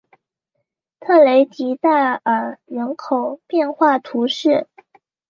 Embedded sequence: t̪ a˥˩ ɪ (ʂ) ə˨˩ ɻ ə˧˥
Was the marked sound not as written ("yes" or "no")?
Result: yes